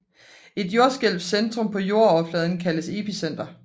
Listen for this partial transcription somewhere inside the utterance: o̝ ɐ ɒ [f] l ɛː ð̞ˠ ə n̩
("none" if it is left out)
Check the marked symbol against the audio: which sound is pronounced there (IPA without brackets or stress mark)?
f